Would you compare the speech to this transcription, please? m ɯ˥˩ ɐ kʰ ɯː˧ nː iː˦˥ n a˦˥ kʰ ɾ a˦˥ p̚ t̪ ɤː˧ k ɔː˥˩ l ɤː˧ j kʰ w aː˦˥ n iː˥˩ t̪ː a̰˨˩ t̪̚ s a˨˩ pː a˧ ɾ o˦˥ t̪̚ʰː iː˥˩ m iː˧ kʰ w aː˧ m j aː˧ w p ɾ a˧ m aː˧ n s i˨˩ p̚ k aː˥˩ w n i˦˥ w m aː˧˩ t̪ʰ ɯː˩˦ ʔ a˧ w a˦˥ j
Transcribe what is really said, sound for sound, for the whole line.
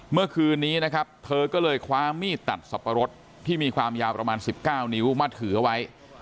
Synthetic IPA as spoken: m ɯ˥˩ ɐ kʰ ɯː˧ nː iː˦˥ n a˦˥ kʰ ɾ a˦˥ p̚ t̪ʰ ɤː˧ k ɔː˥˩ l ɤː˧ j kʰ w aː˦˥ m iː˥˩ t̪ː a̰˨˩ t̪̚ s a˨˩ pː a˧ ɾ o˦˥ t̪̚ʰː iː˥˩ m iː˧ kʰ w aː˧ m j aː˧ w p ɾ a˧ m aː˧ n s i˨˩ p̚ k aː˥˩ w n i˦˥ w m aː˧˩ t̪ʰ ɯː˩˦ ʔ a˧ w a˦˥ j

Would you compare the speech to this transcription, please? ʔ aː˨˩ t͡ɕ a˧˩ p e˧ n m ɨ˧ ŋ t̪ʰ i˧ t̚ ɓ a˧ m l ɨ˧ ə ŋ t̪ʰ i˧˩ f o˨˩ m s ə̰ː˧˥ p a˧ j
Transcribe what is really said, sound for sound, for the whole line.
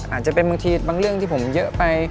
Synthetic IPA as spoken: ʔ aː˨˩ t͡ɕ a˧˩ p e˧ n m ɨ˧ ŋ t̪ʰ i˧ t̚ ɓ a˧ ŋ l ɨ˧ ə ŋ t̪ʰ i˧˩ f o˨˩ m z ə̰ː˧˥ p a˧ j

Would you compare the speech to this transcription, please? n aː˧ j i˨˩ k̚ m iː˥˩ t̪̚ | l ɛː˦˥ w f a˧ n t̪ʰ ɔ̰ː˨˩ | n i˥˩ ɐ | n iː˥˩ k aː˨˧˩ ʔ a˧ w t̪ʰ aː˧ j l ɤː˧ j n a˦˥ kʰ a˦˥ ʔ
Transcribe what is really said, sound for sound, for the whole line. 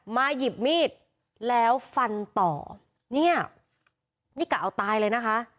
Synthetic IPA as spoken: m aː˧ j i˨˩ p̚ m iː˥˩ t̪̚ | l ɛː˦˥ w f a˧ n t̪ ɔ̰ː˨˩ | n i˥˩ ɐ | n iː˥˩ k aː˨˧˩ ʔ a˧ w t̪ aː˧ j l ɤː˧ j n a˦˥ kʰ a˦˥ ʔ

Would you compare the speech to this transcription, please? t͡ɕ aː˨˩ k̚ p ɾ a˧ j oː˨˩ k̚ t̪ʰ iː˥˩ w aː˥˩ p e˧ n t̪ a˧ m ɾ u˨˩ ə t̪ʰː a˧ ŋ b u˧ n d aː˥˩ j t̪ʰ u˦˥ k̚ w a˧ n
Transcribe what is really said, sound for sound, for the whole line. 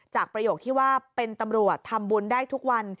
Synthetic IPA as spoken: t͡ɕ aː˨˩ k̚ p ɾ a˧ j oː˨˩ k̚ t̪ʰ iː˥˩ w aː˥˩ p e˧ n t̪ a˧ m ɾ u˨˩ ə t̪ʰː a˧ m b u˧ n d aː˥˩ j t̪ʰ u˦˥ k̚ w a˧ n

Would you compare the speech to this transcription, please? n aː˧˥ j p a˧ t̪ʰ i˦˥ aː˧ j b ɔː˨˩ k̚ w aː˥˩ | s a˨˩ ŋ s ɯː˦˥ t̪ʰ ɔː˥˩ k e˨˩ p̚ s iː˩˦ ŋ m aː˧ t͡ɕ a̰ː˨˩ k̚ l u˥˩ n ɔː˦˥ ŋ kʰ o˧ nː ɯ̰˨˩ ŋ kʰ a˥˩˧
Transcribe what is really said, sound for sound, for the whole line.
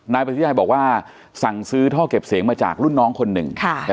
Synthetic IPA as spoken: n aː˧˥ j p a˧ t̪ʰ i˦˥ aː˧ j b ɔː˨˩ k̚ w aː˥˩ | s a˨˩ ŋ s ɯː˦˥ t̪ʰ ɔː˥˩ k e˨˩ p̚ s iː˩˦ ŋ m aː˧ t͡ɕ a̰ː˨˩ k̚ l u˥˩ nː ɔː˦˥ ŋ kʰ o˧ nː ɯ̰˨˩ ŋ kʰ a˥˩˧

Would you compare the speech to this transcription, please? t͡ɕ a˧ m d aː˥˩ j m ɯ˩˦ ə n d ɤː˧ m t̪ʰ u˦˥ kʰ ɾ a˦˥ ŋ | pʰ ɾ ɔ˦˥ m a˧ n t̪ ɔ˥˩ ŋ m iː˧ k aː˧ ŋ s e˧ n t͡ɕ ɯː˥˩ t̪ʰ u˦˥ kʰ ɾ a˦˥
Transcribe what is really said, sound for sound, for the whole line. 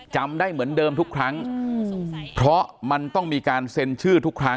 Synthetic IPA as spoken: t͡ɕ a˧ m d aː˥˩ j m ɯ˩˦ ə n d ɤː˧ m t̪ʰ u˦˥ kʰ ɾ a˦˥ ŋ | pʰ ɾ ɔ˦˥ m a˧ n t̪ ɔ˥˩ ŋ m iː˧ k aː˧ n s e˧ n t͡ɕʰ ɯː˥˩ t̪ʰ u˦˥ kʰ ɾ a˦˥

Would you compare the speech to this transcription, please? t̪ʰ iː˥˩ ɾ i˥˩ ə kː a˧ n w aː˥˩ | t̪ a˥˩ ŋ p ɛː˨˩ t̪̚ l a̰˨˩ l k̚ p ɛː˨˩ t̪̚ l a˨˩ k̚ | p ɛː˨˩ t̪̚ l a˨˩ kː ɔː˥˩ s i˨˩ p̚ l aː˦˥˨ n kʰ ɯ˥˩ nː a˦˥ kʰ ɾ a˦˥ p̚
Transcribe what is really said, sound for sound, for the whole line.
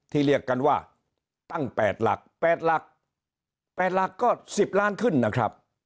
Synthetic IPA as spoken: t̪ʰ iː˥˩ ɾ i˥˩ ə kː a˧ n w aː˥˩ | t̪ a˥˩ ŋ p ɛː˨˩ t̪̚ l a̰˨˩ k̚ p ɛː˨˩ t̪̚ l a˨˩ k̚ | p ɛː˨˩ t̪̚ l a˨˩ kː ɔː˥˩ s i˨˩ p̚ l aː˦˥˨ n kʰ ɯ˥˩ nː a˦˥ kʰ ɾ a˦˥ p̚

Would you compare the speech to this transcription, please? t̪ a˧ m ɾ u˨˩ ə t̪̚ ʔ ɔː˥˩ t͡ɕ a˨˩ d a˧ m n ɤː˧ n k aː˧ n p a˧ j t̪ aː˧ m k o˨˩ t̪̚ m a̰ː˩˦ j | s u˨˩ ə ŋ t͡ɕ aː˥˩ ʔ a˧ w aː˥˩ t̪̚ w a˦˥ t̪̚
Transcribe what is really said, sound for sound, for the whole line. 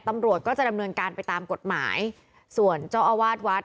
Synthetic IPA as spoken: t̪ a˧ m ɾ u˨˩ ə t̪̚ k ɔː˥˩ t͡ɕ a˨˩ d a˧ m n ɤː˧ n k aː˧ n p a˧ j t̪ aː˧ m k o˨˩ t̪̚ m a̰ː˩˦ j | s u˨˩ ə n t͡ɕ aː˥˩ ʔ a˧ w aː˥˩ t̪̚ w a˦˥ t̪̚

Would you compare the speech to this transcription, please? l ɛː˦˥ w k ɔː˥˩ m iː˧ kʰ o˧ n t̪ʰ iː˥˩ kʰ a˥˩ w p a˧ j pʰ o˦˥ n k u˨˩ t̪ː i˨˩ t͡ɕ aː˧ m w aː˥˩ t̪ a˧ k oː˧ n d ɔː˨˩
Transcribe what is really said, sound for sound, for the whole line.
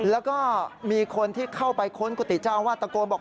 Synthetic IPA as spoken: l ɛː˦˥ w k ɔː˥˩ m iː˧ kʰ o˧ n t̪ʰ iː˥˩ kʰ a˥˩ w p a˧ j kʰ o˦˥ n k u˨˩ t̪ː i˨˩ t͡ɕ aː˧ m w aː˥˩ t̪ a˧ k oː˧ n b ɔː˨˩

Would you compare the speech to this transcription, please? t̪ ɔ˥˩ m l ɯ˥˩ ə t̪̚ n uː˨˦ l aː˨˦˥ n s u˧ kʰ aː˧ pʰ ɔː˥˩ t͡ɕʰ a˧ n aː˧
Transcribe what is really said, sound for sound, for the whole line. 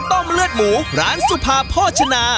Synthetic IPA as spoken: t̪ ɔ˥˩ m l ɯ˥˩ ə t̪̚ m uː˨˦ ɾ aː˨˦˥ n s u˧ pʰ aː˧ pʰ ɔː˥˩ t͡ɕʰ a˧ n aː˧

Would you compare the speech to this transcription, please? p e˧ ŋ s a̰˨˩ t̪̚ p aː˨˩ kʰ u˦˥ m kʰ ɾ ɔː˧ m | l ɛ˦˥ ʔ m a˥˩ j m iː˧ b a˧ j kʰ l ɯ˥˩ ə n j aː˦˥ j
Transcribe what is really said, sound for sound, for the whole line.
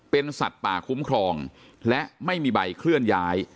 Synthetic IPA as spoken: p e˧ n s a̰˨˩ t̪̚ p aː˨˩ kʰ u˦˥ m kʰ ɾ ɔː˧ ŋ | l ɛ˦˥ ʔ m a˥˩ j m iː˧ b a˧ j kʰ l ɯ˥˩ ə n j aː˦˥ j

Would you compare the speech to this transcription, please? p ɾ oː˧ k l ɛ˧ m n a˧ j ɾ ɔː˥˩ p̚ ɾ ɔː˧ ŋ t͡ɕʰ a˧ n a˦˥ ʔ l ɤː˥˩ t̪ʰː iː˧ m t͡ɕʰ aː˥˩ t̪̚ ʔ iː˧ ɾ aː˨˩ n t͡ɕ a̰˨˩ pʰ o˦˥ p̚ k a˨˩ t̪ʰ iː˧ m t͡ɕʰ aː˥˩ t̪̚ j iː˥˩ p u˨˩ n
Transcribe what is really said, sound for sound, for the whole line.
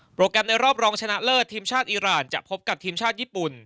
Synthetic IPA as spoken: p ɾ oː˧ k ɾ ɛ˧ m n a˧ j ɾ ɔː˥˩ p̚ ɾ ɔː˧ ŋ t͡ɕʰ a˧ n a˦˥ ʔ l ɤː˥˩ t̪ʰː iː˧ m t͡ɕʰ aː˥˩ t̪̚ ʔ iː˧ ɾ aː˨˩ n t͡ɕ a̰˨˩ pʰ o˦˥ p̚ k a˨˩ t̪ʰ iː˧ m t͡ɕʰ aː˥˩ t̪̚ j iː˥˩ p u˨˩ n

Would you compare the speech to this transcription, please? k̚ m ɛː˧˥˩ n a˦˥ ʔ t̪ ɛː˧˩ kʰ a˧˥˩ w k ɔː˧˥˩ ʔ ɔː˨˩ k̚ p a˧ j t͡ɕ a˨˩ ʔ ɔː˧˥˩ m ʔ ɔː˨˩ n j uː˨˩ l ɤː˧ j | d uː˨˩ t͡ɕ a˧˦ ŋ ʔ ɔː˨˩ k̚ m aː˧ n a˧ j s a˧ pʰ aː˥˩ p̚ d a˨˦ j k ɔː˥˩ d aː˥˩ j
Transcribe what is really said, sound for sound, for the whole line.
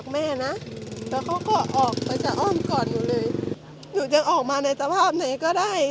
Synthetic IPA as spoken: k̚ m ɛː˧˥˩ n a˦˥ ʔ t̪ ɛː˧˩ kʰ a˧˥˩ w k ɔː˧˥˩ ʔ ɔː˨˩ k̚ p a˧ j t͡ɕ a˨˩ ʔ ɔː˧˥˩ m k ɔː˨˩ n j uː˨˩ l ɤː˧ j | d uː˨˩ t͡ɕ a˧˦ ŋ ʔ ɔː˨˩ k̚ m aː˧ n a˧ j s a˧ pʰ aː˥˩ p̚ n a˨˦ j k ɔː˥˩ d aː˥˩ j

